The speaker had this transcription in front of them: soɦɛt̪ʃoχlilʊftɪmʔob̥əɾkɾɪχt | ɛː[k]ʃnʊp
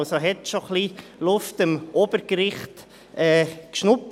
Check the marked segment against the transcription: correct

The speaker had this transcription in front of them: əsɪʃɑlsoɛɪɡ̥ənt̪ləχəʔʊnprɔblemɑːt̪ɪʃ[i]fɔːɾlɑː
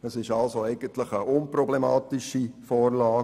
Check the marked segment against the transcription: correct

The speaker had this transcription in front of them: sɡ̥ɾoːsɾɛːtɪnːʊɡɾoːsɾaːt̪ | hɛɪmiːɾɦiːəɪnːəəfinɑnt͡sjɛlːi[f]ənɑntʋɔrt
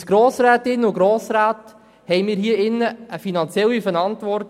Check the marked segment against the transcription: correct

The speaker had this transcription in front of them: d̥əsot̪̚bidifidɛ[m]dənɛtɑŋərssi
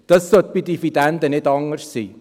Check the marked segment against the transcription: incorrect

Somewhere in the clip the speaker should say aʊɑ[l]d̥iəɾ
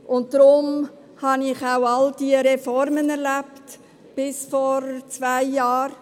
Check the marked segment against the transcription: correct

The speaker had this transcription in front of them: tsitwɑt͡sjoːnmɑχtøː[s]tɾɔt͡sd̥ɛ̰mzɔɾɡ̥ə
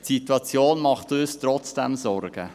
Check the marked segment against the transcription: correct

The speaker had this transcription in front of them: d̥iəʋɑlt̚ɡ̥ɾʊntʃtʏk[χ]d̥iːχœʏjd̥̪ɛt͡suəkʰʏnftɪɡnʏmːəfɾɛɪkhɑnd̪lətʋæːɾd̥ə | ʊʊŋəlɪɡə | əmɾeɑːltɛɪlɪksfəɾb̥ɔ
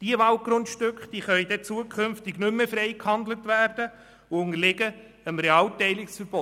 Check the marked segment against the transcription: correct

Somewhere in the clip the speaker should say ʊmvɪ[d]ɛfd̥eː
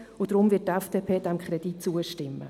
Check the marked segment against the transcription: incorrect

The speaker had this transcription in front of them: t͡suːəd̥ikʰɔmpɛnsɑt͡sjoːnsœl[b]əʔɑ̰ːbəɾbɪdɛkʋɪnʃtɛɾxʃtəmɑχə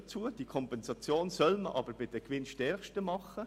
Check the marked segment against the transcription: incorrect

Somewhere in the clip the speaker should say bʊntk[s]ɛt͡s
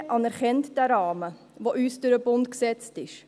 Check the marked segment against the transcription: correct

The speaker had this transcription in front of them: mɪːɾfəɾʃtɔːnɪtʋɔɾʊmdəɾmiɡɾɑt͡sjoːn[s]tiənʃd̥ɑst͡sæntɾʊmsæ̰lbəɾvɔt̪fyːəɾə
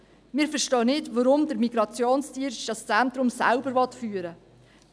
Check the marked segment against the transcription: correct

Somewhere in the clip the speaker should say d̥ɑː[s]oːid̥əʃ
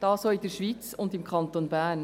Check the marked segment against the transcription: correct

